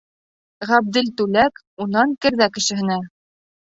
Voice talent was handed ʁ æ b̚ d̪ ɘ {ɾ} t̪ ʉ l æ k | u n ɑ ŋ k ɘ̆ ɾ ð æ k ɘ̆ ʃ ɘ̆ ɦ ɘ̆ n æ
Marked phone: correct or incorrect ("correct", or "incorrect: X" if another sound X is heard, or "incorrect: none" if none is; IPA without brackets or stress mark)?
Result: incorrect: l